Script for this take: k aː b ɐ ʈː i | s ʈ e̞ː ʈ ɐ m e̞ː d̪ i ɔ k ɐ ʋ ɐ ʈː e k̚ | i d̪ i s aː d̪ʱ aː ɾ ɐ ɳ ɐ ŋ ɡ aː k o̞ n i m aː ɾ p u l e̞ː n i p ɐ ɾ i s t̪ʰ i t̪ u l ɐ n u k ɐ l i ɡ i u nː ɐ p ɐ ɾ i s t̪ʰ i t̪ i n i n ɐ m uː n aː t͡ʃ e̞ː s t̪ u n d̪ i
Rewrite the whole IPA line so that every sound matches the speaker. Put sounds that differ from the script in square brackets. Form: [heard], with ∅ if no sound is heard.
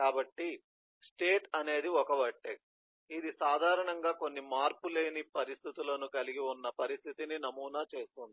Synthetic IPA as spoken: k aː b ɐ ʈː i | s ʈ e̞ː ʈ ɐ [n] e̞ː d̪ i ɔ k ɐ ʋ ɐ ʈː e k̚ | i d̪ i s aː d̪ʱ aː ɾ ɐ ɳ ɐ ŋ ɡ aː k o̞ [nː] i m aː ɾ p u l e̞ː n i p ɐ ɾ i s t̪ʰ i t̪ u l ɐ n u k ɐ l i ɡ i u nː ɐ p ɐ ɾ i s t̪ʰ i t̪ i n i n ɐ m uː n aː t͡ʃ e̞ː s t̪ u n d̪ i

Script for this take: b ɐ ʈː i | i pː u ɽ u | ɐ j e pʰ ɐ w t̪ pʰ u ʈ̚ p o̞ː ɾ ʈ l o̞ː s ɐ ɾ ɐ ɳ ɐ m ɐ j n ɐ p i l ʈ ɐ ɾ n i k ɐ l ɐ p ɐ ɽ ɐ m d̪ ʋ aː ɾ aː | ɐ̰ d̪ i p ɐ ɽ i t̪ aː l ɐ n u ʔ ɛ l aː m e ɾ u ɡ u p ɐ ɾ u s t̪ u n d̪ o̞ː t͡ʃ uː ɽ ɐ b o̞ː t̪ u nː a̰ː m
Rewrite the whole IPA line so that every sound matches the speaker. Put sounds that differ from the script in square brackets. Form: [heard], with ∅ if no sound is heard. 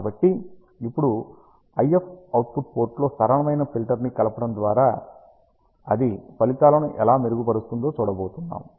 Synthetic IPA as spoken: b ɐ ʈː i | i pː u ɽ u | ɐ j e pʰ ɐ w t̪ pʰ u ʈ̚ p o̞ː ɾ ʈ l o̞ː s ɐ ɾ ɐ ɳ ɐ m ɐ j n ɐ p i l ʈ ɐ ɾ n i k ɐ l ɐ p ɐ ɽ ɐ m d̪ ʋ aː ɾ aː | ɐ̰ d̪ i p ɐ [l] i t̪ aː l ɐ n u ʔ ɛ l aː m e ɾ u ɡ u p ɐ ɾ u s t̪ u n d̪ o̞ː t͡ʃ uː ɽ ɐ b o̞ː t̪ u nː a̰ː m

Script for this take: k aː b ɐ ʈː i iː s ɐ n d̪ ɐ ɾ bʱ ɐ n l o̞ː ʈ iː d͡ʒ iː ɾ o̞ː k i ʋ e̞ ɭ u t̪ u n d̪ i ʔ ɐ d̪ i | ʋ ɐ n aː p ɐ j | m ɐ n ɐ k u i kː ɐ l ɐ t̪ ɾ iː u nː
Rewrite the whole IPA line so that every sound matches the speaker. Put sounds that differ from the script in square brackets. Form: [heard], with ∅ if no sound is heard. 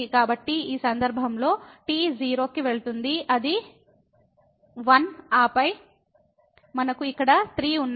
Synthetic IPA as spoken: k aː b ɐ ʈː i iː s ɐ n d̪ ɐ ɾ bʱ ɐ [m] l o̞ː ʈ iː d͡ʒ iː ɾ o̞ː k i ʋ e̞ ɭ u t̪ u n d̪ i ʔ ɐ d̪ i | ʋ ɐ n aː p ɐ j | m ɐ n ɐ k u i kː ɐ [ɽ] ɐ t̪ ɾ iː u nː

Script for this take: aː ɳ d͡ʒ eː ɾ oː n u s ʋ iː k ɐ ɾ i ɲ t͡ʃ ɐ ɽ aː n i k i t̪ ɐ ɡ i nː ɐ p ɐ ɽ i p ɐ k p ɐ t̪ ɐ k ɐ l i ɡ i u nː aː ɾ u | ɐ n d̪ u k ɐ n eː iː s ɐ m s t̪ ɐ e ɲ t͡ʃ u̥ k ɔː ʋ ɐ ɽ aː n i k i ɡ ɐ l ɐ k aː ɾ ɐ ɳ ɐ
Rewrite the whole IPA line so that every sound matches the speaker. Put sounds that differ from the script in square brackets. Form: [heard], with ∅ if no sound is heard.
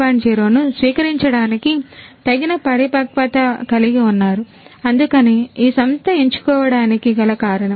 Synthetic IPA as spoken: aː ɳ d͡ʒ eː ɾ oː n u s ʋ iː k ɐ ɾ i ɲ t͡ʃ ɐ ɽ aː n i k i t̪ ɐ ɡ i [n] ɐ p ɐ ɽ i p ɐ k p ɐ t̪ ɐ k ɐ l i ɡ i u nː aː ɾ u | ɐ n d̪ u k ɐ n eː iː s ɐ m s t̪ ɐ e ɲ t͡ʃ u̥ k ɔː ʋ ɐ ɽ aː n i k i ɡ ɐ l ɐ k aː ɾ ɐ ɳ ɐ

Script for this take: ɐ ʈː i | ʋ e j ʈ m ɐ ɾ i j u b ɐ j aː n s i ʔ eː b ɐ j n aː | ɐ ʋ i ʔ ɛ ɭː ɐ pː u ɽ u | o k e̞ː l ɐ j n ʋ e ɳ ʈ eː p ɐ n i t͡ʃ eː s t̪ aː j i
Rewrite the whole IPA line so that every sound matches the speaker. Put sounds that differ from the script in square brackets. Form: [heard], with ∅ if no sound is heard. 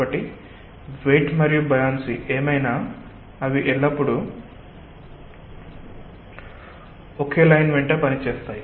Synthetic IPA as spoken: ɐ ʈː i | ʋ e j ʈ m ɐ ɾ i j u b ɐ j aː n s i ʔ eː [m] ɐ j n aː | ɐ ʋ i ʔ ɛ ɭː ɐ pː u ɽ u | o k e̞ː l ɐ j n ʋ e ɳ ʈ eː p ɐ n i t͡ʃ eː s t̪ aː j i

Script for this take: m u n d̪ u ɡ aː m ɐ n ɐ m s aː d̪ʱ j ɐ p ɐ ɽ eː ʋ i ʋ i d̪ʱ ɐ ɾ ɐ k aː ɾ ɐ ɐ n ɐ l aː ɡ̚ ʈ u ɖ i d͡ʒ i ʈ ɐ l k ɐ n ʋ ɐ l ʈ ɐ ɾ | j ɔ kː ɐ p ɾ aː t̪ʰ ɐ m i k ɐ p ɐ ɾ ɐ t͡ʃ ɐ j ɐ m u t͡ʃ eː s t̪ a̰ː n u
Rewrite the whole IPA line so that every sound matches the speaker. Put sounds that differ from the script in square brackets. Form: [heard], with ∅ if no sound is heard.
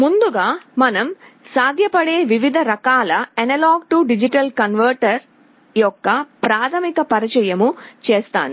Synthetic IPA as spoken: m u n d̪ u ɡ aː m ɐ n ɐ m s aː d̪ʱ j ɐ p ɐ ɽ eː ʋ i ʋ i d̪ʱ ɐ ɾ ɐ k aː [l] ɐ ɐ n ɐ l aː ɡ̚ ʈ u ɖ i d͡ʒ i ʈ ɐ l k ɐ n ʋ ɐ [ɾ] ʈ ɐ ɾ | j ɔ kː ɐ p ɾ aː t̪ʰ ɐ m i k ɐ p ɐ ɾ ɐ t͡ʃ ɐ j ɐ m u t͡ʃ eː s t̪ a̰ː n u

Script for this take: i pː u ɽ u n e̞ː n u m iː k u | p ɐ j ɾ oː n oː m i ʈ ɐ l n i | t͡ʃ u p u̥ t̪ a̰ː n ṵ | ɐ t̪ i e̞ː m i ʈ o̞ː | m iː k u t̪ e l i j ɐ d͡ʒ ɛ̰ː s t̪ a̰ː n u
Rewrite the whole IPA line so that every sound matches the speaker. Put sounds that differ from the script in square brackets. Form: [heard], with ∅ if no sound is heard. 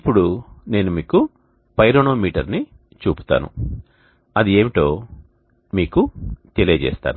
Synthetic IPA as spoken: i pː u ɽ u n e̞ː n u m iː k u | p ɐ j ɾ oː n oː m [iː] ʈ ɐ [ɾ] n i | t͡ʃ [uː] p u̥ t̪ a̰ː n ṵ | ɐ [d̪] i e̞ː m i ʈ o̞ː | m iː k u t̪ e l i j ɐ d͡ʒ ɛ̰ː s t̪ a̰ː n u

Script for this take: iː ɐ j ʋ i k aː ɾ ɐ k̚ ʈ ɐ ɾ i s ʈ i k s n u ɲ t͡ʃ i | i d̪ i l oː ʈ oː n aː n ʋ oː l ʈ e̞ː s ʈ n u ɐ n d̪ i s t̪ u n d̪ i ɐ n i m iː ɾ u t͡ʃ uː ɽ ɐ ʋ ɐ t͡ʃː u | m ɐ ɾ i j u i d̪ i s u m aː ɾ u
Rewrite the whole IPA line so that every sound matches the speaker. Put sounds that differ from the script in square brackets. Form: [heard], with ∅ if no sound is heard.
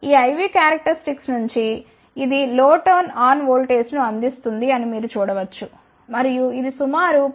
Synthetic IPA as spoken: iː ɐ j ʋ i k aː ɾ ɐ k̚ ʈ ɐ ɾ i s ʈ i k s n u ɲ t͡ʃ i | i d̪ i l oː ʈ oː n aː n ʋ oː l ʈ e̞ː s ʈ n u ɐ n d̪ i s t̪ u n d̪ i ɐ n i m iː ɾ u t͡ʃ uː ɽ ɐ ʋ ɐ t͡ʃː u | m ɐ ɾ i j u i d̪ i s u m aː ɾ u

